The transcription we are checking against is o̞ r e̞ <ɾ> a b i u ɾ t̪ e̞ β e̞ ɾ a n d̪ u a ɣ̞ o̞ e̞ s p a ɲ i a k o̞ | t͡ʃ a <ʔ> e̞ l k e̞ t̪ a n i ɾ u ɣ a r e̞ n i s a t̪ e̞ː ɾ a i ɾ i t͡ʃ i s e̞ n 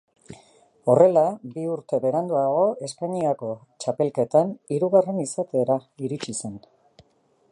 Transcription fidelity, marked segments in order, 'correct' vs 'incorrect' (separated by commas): incorrect, incorrect